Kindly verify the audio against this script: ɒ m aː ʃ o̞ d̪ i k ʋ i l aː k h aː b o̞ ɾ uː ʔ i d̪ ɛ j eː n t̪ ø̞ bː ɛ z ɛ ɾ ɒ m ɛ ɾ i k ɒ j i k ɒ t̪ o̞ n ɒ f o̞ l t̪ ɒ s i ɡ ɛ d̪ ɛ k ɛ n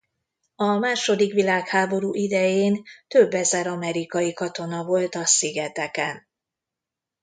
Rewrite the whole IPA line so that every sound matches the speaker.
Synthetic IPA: ɒ m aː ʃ o̞ d̪ i k ʋ i l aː k h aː b o̞ ɾ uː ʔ i d̪ ɛ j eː n t̪ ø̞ bː ɛ z ɛ ɾ ɒ m ɛ ɾ i k ɒ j i k ɒ t̪ o̞ n ɒ v o̞ l t̪ ɒ s i ɡ ɛ t̪ ɛ k ɛ n

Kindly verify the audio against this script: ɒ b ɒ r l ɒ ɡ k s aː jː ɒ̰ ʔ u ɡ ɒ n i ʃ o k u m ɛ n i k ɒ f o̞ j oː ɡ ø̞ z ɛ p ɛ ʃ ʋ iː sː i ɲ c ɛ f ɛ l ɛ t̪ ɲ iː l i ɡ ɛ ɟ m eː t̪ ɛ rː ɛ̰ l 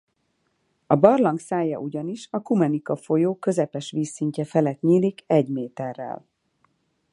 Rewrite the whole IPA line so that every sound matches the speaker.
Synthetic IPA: ɒ b ɒ r l ɒ ŋ k s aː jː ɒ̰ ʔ u ɟ ɒ n i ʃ ɒ k u m ɛ n i k ɒ f o̞ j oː k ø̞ z ɛ p ɛ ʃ ʋ iː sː i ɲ c ɛ f ɛ l ɛ t̪ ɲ iː l i k ɛ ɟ m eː t̪ ɛ rː ɛ̰ l

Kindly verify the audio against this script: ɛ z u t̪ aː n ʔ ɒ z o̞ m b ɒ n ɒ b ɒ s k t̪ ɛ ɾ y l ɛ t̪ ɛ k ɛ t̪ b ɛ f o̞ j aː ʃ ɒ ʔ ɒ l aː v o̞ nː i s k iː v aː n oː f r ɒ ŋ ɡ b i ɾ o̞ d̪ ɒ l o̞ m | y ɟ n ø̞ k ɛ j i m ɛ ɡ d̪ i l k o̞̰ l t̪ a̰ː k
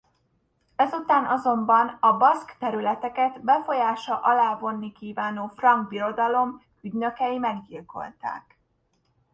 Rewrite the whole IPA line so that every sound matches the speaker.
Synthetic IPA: ɛ z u t̪ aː n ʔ ɒ z o̞ m b ɒ n ɒ b ɒ s k t̪ ɛ ɾ y l ɛ t̪ ɛ k ɛ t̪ b ɛ f o̞ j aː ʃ ɒ ʔ ɒ l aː v o̞ nː i k iː v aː n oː f r ɒ ŋ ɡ b i ɾ o̞ d̪ ɒ l o̞ m | y ɟ n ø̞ k ɛ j i m ɛ ɡ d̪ i l k o̞̰ l t̪ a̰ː k

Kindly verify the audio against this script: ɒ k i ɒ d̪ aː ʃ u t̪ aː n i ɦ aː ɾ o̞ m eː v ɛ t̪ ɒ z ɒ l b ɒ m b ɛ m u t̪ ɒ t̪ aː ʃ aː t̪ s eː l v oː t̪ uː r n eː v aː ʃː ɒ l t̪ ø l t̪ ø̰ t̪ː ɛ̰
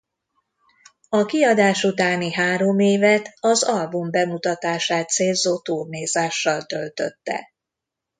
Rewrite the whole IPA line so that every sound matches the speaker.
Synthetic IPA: ɒ k i ɒ d̪ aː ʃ u t̪ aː n i ɦ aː ɾ o̞ m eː v ɛ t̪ ɒ z ɒ l b u m b ɛ m u t̪ ɒ t̪ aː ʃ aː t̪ s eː l z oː t̪ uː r n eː z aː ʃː ɒ l t̪ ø l t̪ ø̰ t̪ː ɛ̰

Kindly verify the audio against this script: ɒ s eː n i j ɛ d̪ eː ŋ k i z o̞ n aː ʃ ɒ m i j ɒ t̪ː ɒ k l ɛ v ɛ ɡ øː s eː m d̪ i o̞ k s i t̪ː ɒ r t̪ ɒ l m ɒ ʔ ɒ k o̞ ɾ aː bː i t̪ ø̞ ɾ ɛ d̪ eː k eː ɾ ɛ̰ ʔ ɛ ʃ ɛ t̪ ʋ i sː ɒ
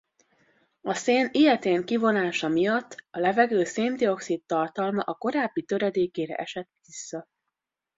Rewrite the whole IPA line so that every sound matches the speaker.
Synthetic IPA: ɒ s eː n i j ɛ t̪ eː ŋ k i v o̞ n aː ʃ ɒ m i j ɒ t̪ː ɒ l ɛ v ɛ ɡ øː s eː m d̪ i o̞ k s i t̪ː ɒ r t̪ ɒ l m ɒ ʔ ɒ k o̞ ɾ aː bː i t̪ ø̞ ɾ ɛ d̪ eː k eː ɾ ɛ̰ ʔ ɛ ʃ ɛ t̪ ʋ i sː ɒ

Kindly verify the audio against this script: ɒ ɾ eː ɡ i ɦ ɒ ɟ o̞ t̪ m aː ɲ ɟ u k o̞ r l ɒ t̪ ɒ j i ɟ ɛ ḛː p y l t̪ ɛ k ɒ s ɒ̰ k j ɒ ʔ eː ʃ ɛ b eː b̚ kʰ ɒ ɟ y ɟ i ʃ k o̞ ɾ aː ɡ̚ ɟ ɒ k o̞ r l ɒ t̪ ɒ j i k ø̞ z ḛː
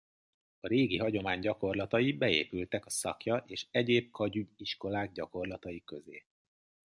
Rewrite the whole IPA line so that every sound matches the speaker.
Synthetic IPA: ɒ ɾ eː ɡ i ɦ ɒ ɟ o̞ m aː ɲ ɟ ɒ k o̞ r l ɒ t̪ ɒ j i b ɛ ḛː p y l t̪ ɛ k ɒ s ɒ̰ k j ɒ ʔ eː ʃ ɛ ɟ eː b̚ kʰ ɒ ɟ y ɟ i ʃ k o̞ l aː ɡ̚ ɟ ɒ k o̞ r l ɒ t̪ ɒ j i k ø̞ z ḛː

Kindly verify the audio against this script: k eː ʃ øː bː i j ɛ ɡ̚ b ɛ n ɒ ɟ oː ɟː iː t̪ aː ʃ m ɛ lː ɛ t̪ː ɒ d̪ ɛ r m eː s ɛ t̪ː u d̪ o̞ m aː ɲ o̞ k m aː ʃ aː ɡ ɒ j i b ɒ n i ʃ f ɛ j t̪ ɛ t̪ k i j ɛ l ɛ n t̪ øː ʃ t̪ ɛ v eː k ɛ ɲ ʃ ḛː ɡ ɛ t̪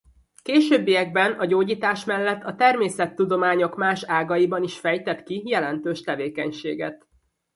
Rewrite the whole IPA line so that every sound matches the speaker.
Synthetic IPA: k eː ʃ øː bː i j ɛ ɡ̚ b ɛ n ɒ ɟ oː ɟ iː t̪ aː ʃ m ɛ lː ɛ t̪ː ɒ t̪ ɛ r m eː s ɛ t̪ː u d̪ o̞ m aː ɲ o̞ k m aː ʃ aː ɡ ɒ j i b ɒ n i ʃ f ɛ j t̪ ɛ t̪ k i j ɛ l ɛ n t̪ øː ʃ t̪ ɛ v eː k ɛ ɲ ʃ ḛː ɡ ɛ t̪

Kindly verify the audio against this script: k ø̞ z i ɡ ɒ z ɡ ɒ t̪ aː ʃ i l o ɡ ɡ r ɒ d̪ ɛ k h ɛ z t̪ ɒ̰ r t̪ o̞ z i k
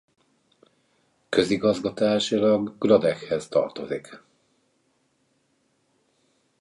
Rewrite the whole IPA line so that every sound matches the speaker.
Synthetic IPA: k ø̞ z i ɡ ɒ z ɡ ɒ t̪ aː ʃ i l ɒ ɡ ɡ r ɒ d̪ ɛ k h ɛ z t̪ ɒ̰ r t̪ o̞ z i k

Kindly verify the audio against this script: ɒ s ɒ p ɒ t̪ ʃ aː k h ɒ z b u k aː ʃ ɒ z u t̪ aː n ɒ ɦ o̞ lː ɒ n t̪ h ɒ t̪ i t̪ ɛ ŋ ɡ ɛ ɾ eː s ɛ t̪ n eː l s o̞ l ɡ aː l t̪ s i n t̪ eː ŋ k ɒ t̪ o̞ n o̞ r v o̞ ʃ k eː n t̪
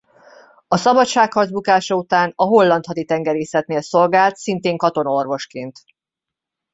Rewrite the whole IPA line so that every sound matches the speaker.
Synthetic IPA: ɒ s ɒ b ɒ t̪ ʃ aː k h ɒ z b u k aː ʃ ɒ u t̪ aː n ɒ ɦ o̞ lː ɒ n t̪ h ɒ t̪ i t̪ ɛ ŋ ɡ ɛ ɾ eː s ɛ t̪ n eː l s o̞ l ɡ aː l t̪ s i n t̪ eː ŋ k ɒ t̪ o̞ n o̞ r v o̞ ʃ k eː n t̪

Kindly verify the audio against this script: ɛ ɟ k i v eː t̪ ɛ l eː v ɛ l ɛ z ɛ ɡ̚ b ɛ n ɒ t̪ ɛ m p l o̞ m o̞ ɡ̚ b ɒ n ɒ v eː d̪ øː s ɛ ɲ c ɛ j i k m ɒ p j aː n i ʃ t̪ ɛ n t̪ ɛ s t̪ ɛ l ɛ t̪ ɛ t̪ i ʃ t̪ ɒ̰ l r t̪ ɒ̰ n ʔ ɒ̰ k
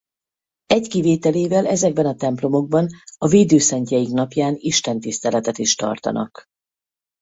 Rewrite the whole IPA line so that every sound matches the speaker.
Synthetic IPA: ɛ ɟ k i v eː t̪ ɛ l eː v ɛ l ɛ z ɛ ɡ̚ b ɛ n ɒ t̪ ɛ m p l o̞ m o̞ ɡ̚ b ɒ n ɒ v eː d̪ øː s ɛ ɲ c ɛ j i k n ɒ p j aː n i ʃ t̪ ɛ n t̪ i s t̪ ɛ l ɛ t̪ ɛ t̪ i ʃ t̪ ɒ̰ r t̪ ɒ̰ n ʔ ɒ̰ k

